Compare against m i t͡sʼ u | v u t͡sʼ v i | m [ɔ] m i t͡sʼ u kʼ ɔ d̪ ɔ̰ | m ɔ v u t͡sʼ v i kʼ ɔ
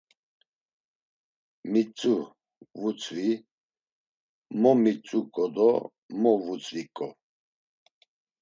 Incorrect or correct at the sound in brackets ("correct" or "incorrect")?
correct